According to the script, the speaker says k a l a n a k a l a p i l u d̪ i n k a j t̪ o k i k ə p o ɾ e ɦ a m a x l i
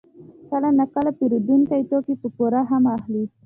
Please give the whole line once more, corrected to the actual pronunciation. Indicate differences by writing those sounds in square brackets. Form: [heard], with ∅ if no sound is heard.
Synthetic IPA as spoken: k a l a n a k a l a p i [ɾ] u d̪ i n k a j t̪ o k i [p] ə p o ɾ [a] ɦ a m a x l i